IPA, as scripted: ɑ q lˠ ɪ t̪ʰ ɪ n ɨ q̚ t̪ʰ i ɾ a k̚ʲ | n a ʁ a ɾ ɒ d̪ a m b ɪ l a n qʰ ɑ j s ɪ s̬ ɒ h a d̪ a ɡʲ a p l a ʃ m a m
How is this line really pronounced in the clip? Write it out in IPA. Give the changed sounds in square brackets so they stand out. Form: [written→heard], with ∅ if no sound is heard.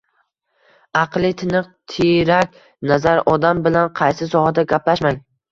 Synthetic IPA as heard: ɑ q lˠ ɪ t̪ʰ ɪ n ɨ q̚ t̪ʰ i ɾ a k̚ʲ | n a [ʁ→z] a ɾ ɒ d̪ a m b ɪ l a n qʰ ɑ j s ɪ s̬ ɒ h a d̪ a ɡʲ a p l a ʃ m a [m→ŋ]